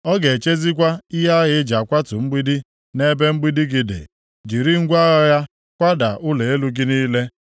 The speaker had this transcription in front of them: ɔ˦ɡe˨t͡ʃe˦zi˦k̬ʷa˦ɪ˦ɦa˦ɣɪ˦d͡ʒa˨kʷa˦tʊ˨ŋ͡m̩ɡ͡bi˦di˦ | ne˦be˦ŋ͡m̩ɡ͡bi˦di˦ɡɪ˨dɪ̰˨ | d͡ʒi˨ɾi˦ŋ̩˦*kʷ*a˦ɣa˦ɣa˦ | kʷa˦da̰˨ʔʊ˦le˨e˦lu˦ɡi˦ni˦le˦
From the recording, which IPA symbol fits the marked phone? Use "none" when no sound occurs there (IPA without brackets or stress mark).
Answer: ɡʷ